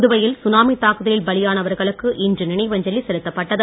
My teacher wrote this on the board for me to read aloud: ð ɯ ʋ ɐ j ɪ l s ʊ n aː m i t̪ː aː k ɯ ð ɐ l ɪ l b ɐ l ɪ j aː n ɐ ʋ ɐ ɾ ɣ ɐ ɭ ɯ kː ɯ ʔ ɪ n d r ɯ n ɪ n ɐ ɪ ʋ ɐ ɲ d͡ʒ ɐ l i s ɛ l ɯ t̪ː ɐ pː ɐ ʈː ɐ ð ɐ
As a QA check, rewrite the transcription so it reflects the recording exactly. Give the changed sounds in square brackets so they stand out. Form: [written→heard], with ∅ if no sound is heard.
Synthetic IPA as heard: ð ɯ ʋ ɐ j ɪ l s ʊ n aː m i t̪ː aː k ɯ ð ɐ l ɪ l b ɐ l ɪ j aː n ɐ ʋ ɐ ɾ ɣ ɐ ɭ ɯ kː ɯ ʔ ɪ n d r ɯ n ɪ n ɐ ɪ ʋ ɐ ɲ d͡ʒ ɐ l i s ɛ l ɯ t̪ː ɐ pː ɐ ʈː ɐ ð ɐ